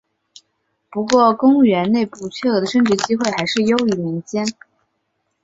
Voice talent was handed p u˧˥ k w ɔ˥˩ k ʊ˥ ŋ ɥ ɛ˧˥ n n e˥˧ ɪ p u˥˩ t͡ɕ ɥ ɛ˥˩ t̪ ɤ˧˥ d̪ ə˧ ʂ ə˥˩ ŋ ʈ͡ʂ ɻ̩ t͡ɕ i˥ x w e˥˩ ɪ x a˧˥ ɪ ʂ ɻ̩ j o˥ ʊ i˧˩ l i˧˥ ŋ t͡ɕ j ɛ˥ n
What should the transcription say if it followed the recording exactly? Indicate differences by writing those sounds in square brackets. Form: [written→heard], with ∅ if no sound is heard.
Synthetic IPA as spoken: p u˧˥ k w ɔ˥˩ k ʊ˥ ŋ ɥ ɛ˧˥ n n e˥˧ ɪ p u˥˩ [t͡ɕ→t͡ɕʰ] ɥ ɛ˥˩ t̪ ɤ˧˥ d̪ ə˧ ʂ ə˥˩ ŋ ʈ͡ʂ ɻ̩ t͡ɕ i˥ x w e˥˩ ɪ x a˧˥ ɪ ʂ ɻ̩ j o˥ ʊ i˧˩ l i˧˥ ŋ t͡ɕ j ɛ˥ n